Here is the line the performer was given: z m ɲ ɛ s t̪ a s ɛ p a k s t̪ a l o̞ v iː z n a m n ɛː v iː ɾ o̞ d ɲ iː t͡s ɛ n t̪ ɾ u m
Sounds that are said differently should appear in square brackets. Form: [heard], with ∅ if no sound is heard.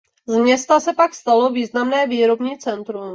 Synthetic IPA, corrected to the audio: z m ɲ ɛ s t̪ a s ɛ p a k s t̪ a l o̞ v iː z n a m n ɛː v iː ɾ o̞ [b] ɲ iː t͡s ɛ n t̪ ɾ u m